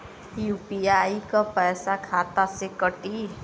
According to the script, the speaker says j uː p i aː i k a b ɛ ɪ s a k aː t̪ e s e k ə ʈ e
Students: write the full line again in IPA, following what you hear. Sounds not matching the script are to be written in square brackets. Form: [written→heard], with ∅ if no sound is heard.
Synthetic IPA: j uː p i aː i k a [b→p] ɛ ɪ s a [k→kʰ] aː t̪ [e→a] s e k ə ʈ [e→i]